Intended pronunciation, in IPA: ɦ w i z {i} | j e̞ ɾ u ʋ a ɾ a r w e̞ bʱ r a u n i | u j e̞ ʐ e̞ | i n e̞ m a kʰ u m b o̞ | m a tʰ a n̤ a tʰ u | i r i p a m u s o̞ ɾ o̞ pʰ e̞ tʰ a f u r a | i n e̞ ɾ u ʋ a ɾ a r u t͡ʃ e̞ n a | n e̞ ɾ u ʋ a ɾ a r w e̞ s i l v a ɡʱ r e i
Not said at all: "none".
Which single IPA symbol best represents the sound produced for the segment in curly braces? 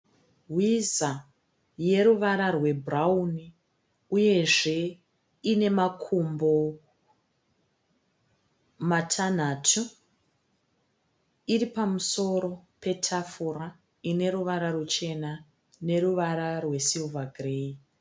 a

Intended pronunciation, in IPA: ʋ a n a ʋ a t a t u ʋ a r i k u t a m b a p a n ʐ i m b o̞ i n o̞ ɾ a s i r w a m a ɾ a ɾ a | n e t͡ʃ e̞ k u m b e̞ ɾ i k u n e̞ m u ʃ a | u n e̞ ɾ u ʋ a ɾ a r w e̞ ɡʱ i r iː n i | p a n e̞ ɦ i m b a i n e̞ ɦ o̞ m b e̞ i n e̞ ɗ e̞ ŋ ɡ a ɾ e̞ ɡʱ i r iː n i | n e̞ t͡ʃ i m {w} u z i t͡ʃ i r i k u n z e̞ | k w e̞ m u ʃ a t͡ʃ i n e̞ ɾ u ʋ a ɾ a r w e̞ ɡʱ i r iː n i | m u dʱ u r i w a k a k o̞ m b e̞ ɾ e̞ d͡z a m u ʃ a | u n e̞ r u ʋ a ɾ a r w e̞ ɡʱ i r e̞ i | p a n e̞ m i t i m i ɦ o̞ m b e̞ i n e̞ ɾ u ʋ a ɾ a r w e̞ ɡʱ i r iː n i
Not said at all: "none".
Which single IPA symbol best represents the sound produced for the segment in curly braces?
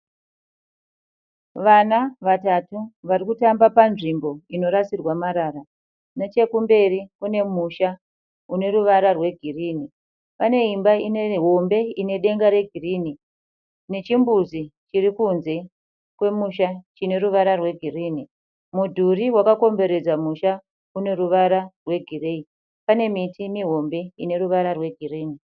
b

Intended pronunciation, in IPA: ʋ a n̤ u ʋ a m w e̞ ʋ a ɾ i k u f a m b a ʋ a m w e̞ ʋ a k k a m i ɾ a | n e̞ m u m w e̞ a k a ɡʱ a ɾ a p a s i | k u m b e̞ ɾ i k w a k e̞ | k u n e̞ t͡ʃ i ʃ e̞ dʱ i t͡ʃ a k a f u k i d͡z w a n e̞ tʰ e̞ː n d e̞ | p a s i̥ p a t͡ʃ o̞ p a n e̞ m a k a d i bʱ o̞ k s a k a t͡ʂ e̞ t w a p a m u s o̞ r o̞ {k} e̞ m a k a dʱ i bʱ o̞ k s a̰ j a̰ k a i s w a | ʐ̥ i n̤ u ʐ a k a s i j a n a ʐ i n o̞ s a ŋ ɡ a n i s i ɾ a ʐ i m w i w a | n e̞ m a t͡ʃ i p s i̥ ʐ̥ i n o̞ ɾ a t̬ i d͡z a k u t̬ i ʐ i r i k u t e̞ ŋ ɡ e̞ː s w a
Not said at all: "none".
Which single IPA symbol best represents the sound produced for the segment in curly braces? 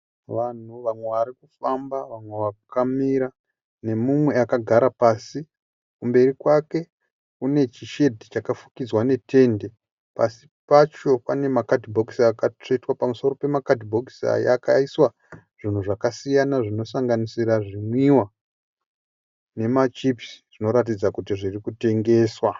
p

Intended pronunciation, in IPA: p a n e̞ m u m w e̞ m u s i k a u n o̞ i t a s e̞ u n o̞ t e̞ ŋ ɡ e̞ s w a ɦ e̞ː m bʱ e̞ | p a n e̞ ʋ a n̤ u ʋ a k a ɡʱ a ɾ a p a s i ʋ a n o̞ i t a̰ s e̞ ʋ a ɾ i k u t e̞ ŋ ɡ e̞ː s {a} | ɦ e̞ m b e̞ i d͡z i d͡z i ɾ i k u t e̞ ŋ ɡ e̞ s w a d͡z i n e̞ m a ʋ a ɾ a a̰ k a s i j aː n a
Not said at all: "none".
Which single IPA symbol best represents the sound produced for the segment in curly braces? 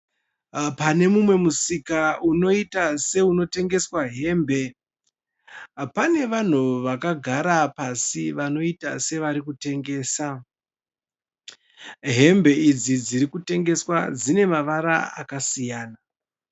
a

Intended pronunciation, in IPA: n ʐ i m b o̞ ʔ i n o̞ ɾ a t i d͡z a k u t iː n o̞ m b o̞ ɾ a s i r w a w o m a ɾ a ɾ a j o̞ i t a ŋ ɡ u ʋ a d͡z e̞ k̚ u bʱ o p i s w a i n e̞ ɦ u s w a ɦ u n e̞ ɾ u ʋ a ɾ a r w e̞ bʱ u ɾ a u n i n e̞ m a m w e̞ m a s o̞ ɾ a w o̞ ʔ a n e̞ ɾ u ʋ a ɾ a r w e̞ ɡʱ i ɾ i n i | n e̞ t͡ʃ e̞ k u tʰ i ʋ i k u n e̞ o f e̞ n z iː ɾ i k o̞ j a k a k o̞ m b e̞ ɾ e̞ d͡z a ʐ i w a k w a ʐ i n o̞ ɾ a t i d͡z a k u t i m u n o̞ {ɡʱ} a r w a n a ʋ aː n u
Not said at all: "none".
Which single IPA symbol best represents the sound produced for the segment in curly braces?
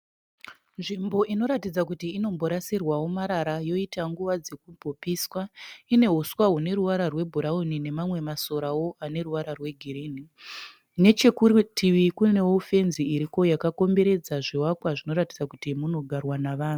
ɡʱ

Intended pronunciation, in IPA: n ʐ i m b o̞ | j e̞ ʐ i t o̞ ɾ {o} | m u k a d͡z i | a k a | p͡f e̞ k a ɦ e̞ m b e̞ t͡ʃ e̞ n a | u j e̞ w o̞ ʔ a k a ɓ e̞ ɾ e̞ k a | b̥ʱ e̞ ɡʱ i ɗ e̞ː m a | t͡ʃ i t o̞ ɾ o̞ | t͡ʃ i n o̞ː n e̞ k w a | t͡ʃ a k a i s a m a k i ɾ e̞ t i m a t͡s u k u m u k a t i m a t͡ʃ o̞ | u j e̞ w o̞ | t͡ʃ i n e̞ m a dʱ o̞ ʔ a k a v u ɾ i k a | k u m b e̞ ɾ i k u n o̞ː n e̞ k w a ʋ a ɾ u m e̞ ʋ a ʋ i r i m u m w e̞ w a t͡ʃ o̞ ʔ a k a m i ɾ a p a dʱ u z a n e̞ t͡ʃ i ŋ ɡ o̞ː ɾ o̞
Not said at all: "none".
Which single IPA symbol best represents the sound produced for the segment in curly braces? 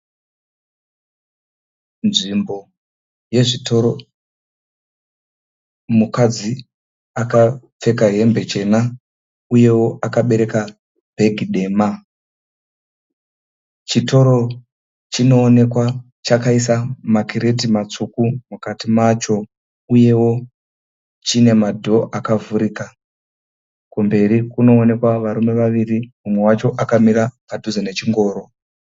o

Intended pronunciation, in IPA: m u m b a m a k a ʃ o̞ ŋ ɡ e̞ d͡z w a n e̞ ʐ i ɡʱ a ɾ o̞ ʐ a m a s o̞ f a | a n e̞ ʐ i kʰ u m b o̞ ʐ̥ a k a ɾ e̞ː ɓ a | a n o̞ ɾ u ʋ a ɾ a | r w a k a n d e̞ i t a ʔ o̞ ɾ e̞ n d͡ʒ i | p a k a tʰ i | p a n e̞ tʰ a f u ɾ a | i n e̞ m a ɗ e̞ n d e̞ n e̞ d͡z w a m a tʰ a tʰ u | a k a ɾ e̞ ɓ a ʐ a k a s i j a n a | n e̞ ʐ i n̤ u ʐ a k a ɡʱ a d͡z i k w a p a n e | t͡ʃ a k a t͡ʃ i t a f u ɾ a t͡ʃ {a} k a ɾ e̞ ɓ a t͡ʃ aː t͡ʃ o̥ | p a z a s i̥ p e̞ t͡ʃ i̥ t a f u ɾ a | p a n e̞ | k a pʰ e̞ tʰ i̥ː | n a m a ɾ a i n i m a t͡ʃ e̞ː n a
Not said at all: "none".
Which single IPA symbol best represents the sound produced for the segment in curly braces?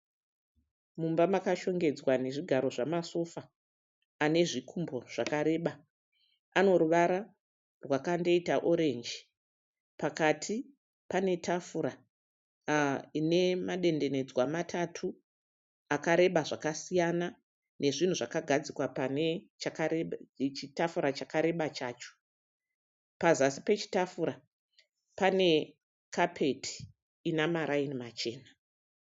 a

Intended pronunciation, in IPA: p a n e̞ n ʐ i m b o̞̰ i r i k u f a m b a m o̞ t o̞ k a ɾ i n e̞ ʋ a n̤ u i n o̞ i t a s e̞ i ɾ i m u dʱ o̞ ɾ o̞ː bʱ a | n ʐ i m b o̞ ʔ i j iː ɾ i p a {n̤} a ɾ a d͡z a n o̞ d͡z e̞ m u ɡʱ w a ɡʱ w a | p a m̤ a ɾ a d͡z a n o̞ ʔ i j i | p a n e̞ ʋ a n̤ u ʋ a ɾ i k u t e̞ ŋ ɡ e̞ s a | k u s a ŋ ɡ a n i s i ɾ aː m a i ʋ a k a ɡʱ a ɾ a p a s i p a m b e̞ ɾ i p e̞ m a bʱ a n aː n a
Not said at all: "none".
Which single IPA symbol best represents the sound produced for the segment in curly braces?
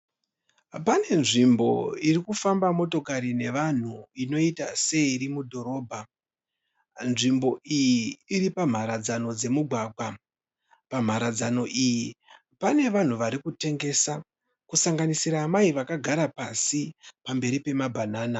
m̤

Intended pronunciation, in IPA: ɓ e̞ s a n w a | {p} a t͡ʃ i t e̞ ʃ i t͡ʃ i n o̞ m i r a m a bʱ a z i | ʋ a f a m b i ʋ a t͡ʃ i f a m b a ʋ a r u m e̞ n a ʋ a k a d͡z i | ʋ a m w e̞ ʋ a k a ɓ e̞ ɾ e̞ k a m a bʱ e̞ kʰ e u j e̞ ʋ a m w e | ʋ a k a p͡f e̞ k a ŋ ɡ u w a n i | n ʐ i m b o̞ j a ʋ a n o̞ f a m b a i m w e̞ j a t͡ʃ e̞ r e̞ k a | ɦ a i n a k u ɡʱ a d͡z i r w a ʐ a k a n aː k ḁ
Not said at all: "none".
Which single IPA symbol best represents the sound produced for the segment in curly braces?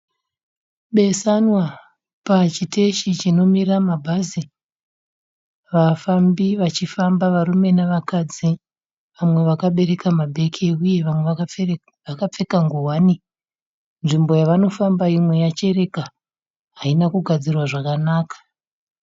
p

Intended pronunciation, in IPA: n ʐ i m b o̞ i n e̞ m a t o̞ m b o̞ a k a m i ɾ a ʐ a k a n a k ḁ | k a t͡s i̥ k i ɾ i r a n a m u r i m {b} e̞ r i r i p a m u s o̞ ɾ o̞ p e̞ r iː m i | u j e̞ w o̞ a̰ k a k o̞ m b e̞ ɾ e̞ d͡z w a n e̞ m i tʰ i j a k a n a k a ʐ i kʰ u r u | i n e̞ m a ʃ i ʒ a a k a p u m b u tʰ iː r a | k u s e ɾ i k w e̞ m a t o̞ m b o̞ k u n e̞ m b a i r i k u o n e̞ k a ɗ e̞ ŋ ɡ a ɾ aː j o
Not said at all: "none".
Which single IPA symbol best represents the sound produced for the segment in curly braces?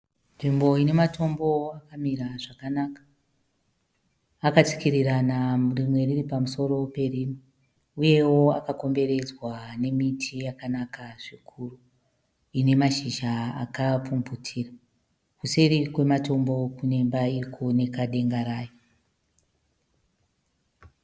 w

